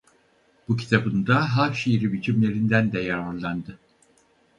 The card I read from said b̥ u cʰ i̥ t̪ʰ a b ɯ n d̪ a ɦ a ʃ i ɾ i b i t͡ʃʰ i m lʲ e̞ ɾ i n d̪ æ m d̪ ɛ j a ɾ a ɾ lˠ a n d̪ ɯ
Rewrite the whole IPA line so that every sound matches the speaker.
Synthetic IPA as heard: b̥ u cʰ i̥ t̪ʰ a b ɯ n d̪ a ɦ a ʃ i ɾ i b i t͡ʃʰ i m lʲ e̞ ɾ i n d̪ æ n d̪ ɛ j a ɾ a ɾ lˠ a n d̪ ɯ